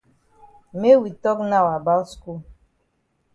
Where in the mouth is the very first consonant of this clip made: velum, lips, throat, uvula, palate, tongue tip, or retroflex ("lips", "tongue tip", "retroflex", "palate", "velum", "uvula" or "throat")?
lips